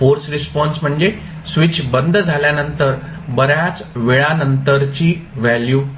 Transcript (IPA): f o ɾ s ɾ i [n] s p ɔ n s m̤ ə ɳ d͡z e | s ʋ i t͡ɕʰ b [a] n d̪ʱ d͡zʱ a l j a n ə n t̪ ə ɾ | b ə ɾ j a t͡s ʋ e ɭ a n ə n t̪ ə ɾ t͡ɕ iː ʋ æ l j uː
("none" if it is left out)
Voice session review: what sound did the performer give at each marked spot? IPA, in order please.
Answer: none, ə

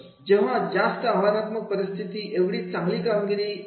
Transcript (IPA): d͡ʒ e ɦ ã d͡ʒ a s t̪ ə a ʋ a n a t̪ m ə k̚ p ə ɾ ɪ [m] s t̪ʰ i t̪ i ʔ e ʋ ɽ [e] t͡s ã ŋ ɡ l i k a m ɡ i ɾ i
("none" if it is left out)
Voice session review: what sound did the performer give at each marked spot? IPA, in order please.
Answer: none, i

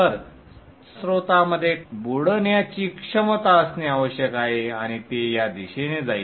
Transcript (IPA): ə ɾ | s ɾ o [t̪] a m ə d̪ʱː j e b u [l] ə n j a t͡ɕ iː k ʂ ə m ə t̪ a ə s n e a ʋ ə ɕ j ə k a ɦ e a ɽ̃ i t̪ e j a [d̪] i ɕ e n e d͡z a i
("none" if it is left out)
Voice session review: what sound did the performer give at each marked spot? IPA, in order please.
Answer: t̪, ɽ, d̪

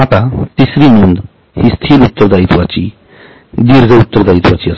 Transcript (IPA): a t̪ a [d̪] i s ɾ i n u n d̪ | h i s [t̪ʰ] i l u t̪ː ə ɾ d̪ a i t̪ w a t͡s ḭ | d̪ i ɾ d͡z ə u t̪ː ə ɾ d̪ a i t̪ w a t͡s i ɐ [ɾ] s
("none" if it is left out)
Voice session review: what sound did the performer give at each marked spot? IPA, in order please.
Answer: t̪, t̪ʰ, none

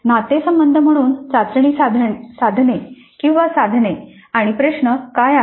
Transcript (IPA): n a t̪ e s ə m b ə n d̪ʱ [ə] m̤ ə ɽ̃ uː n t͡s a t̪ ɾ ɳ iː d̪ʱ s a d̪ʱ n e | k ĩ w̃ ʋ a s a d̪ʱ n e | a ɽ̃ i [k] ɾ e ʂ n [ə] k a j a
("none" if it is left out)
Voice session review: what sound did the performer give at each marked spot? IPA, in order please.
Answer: ə, p, ə

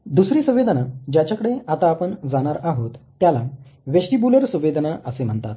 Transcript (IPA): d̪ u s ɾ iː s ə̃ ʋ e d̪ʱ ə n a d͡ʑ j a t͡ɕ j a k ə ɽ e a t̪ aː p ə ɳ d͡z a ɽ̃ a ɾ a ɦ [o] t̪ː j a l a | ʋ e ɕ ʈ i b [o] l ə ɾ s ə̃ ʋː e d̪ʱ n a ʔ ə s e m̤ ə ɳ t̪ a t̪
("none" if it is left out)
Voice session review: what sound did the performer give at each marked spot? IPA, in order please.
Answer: o, u

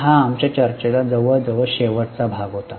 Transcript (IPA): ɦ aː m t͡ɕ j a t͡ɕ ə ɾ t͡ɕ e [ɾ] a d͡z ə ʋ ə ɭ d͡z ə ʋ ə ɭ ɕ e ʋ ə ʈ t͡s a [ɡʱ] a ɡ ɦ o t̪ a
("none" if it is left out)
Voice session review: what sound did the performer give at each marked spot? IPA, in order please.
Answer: l, bʱ

